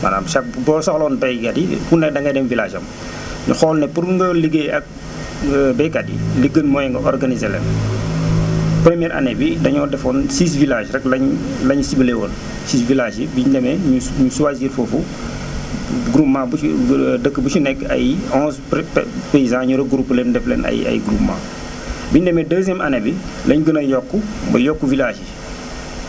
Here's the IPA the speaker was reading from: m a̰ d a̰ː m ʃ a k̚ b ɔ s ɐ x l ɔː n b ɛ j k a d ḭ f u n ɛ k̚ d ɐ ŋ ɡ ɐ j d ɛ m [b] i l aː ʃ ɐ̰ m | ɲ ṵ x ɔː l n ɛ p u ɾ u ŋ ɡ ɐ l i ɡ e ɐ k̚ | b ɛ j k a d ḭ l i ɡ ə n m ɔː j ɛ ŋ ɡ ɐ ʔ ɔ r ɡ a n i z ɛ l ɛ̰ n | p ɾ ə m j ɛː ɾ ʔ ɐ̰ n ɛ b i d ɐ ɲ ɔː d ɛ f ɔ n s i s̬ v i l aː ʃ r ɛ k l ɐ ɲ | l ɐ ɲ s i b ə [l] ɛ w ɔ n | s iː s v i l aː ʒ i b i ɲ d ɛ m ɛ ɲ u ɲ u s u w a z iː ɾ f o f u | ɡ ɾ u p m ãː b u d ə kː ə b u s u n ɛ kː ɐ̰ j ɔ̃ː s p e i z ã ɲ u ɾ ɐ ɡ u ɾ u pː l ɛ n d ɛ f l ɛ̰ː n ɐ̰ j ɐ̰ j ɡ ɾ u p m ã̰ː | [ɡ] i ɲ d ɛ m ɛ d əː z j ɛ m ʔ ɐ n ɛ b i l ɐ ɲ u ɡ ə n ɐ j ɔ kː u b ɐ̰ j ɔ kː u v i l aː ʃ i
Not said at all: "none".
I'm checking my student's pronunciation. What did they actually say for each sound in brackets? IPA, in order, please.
v, l, b

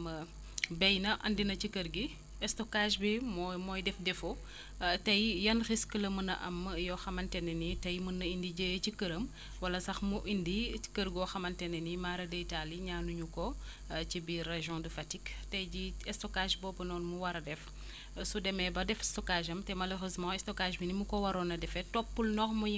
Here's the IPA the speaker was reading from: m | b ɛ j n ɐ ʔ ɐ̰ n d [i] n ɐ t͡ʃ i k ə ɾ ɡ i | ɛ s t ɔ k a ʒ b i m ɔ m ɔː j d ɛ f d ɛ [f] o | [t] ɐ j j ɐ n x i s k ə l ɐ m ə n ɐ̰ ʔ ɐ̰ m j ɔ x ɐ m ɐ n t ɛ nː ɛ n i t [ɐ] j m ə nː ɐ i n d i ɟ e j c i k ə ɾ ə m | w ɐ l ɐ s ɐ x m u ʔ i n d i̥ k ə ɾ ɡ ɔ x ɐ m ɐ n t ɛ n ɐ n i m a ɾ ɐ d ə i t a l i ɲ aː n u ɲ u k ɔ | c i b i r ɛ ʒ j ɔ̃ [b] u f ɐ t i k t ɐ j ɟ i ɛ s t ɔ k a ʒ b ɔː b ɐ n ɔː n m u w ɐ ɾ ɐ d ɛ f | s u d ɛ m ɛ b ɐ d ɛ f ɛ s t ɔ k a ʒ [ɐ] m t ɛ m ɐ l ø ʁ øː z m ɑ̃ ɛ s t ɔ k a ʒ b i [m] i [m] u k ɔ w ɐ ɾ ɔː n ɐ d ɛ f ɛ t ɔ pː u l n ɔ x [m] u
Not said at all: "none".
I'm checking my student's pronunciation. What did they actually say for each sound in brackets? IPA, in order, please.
i, f, t, ɐ, d, ɐ, n, m, m

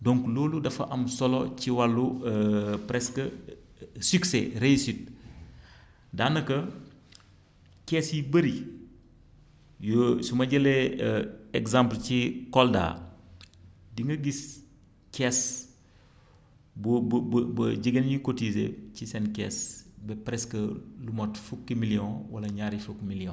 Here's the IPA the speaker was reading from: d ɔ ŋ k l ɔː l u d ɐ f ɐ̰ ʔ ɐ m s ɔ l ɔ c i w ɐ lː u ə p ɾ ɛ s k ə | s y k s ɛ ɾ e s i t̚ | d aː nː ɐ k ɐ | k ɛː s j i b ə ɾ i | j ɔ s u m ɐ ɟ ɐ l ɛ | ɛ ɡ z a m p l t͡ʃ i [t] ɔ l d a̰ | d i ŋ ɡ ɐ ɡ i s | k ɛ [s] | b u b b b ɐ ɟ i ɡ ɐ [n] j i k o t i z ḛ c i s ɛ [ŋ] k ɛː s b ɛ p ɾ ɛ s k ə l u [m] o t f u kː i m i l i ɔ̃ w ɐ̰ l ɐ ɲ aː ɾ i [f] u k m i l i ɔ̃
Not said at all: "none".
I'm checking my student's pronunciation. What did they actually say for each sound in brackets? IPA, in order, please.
k, s, n, n, m, f

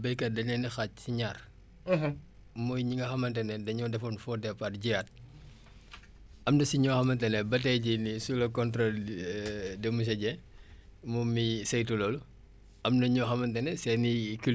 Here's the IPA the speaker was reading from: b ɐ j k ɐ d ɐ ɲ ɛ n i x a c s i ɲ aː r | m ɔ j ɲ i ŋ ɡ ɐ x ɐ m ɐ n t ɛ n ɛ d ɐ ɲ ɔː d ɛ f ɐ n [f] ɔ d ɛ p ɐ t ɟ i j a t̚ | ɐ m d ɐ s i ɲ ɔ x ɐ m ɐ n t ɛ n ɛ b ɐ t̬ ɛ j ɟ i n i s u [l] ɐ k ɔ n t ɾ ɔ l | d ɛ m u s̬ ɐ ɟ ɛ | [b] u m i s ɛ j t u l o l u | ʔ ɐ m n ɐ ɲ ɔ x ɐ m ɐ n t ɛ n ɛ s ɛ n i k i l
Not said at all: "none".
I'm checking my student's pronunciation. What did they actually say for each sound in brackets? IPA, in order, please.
f, l, m

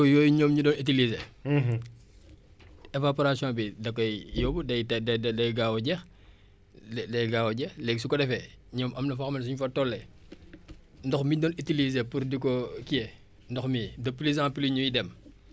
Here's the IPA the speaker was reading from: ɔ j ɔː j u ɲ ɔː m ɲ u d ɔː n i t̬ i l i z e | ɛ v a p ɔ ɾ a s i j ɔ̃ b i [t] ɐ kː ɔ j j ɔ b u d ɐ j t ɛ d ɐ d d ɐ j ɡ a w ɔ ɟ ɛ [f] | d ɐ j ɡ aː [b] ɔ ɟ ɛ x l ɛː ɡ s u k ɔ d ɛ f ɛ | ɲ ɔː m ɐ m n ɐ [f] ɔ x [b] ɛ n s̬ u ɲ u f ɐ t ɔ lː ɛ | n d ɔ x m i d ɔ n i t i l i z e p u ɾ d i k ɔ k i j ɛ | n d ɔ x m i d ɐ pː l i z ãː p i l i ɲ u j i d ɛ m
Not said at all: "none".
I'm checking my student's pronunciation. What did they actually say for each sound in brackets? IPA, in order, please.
d, x, w, f, m

